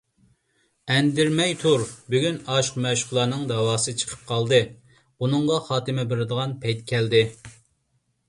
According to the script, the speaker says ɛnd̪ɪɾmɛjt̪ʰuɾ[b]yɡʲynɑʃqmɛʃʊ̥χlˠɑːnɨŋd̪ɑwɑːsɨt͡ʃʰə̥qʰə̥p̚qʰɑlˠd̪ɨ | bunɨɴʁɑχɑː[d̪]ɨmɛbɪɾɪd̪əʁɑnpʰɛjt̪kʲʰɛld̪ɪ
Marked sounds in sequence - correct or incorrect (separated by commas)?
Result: correct, incorrect